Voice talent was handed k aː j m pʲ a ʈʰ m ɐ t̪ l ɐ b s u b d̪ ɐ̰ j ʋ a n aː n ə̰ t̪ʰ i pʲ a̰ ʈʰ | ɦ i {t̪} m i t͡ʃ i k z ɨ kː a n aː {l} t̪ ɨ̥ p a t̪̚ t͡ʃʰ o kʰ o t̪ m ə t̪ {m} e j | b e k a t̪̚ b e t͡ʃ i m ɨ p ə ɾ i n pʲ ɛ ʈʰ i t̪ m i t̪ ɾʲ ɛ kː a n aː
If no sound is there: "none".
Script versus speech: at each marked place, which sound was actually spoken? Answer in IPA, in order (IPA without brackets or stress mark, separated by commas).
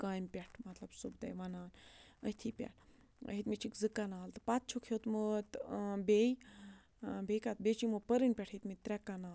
t̪, l, b